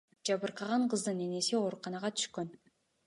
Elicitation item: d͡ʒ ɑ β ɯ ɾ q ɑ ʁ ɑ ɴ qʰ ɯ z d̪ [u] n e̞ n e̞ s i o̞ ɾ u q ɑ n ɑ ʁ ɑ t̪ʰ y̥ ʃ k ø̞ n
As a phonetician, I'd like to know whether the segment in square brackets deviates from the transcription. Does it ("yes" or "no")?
yes